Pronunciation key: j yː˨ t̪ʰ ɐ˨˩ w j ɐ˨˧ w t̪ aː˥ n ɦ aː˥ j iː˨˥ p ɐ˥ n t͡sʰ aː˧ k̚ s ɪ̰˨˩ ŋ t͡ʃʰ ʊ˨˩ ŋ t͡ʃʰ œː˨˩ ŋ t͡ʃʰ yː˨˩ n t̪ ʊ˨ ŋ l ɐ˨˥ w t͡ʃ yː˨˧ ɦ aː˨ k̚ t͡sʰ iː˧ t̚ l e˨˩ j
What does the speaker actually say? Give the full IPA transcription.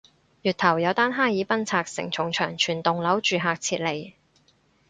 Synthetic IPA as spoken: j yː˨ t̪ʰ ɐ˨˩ w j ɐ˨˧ w t̪ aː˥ n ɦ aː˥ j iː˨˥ p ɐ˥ n t͡sʰ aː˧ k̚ s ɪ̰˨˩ ŋ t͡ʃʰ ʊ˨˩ ŋ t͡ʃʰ œː˨˩ ŋ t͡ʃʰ yː˨˩ n t̪ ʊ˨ ŋ l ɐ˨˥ w t͡ʃ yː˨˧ ɦ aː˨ k̚ t͡sʰ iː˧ t̚ l e˨˩ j

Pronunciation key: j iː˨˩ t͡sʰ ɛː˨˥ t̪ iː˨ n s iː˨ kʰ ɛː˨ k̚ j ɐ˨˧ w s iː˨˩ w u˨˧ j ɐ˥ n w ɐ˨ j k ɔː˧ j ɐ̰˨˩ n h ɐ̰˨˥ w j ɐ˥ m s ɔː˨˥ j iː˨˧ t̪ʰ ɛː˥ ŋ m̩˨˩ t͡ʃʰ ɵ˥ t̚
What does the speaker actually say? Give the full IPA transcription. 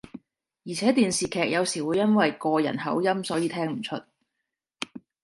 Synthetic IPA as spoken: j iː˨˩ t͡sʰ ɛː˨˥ t̪ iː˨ n s iː˨ kʰ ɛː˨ k̚ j ɐ˨˧ w s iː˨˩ w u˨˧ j ɐ˥ n w ɐ˨ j k ɔː˧ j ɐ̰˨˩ n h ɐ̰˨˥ w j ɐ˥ m s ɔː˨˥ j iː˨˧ t̪ʰ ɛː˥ ŋ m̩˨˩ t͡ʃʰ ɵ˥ t̚

